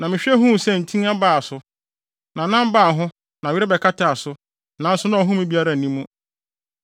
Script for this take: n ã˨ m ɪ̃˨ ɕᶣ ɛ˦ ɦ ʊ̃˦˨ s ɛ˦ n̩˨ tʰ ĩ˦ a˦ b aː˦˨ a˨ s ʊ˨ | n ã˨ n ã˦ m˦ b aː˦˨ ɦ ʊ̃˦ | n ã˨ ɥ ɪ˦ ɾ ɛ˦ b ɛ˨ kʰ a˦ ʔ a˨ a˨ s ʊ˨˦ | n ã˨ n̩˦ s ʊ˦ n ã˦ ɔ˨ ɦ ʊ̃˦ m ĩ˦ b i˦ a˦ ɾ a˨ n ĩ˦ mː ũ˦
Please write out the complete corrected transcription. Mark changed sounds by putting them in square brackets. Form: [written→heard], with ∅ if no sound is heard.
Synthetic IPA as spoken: n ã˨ m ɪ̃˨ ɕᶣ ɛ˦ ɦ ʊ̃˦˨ s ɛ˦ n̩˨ tʰ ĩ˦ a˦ b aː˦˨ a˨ s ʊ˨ | n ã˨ n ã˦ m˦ b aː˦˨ ɦ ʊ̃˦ | n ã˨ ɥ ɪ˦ ɾ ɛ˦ b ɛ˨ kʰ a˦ [ʔ→t] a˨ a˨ s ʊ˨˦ | n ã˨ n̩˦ s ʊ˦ n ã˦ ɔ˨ ɦ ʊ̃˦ m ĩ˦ b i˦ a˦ ɾ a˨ n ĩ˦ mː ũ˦